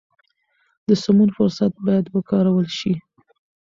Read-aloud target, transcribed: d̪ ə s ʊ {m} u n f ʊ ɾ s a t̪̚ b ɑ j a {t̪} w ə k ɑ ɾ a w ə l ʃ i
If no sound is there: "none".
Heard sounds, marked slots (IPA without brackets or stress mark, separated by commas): m, d̪